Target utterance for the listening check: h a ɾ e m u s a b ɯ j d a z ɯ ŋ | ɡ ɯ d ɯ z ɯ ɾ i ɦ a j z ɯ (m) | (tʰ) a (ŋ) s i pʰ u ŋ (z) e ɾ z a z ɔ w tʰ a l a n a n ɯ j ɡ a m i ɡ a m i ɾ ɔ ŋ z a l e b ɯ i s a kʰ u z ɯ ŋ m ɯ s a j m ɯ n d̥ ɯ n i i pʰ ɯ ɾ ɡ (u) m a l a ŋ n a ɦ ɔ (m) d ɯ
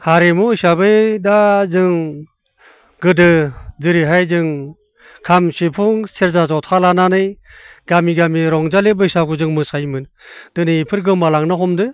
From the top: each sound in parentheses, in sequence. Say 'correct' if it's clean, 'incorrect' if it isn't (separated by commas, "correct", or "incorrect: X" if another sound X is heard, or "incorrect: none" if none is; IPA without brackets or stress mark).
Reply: incorrect: ŋ, incorrect: kʰ, incorrect: m, incorrect: s, incorrect: ɯ, correct